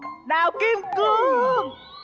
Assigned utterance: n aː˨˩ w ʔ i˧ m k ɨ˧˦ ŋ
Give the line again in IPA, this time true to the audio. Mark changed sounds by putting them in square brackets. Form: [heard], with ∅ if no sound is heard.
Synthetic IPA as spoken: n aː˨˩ w [k] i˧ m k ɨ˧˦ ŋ